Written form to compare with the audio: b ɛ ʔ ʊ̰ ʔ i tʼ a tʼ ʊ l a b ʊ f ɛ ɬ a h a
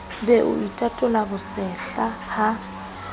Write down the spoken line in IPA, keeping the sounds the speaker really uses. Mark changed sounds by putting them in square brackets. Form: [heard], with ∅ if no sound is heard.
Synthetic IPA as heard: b ɛ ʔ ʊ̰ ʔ i tʼ a tʼ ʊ l a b ʊ [s] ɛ ɬ a h a